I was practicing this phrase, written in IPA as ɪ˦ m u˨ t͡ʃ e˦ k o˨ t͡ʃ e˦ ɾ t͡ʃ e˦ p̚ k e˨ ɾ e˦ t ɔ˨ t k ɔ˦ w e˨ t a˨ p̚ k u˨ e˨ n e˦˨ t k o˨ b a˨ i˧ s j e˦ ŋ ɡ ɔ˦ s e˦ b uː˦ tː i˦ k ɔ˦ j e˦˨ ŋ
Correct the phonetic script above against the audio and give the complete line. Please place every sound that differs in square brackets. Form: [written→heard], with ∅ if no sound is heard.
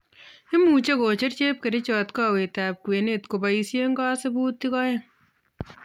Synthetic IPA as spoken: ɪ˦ m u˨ t͡ʃ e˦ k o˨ t͡ʃ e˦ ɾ t͡ʃ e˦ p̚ k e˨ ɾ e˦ [t→t͡ʃ] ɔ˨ t k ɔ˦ w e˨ t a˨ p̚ k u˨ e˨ n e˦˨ t k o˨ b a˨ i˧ s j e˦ ŋ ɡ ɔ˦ s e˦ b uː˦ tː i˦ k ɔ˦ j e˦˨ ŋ